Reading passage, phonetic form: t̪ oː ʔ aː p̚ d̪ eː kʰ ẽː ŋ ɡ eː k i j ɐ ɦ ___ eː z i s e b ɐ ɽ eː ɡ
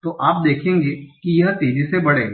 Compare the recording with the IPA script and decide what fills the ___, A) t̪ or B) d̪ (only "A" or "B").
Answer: A